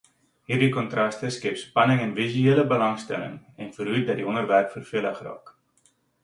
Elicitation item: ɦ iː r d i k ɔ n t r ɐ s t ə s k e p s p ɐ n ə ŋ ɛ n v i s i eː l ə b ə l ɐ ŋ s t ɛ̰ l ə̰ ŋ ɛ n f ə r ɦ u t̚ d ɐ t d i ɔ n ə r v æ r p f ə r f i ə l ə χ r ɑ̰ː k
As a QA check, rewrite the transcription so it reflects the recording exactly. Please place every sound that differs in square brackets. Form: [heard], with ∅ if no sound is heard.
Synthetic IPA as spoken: ɦ iː r d i k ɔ n t r ɐ s t ə s k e p s p ɐ n ə ŋ ɛ n v i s [y] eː l ə b ə l ɐ ŋ s t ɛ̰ l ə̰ ŋ ɛ n f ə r ɦ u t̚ d ɐ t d i ɔ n ə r v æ r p f ə r f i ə l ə χ r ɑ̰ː k